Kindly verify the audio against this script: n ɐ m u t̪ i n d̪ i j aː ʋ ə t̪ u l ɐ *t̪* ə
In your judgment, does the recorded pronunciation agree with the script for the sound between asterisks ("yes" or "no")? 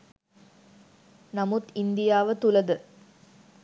no